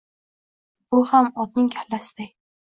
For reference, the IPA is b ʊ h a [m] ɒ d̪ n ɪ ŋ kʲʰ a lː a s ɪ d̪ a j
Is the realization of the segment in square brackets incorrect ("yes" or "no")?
no